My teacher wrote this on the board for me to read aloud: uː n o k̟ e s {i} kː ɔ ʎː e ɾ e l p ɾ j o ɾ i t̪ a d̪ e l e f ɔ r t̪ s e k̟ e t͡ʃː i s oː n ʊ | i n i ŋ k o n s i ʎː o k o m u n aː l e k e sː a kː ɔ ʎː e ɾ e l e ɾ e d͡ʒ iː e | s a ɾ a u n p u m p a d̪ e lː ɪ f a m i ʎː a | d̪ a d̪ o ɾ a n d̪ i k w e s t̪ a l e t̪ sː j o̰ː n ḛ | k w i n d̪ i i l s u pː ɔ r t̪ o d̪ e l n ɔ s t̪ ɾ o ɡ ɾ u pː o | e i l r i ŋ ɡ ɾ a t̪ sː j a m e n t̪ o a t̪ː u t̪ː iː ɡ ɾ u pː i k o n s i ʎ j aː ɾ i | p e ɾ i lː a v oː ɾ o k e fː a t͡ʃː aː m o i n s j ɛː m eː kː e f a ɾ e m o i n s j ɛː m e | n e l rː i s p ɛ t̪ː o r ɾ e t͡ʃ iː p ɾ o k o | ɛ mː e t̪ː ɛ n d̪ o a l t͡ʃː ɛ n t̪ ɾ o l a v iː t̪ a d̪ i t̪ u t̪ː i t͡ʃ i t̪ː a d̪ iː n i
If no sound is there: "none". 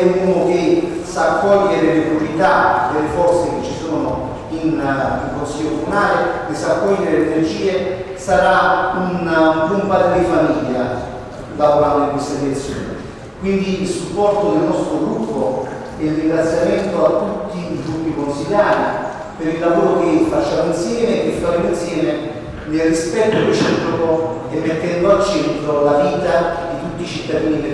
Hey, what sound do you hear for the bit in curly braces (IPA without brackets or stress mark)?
a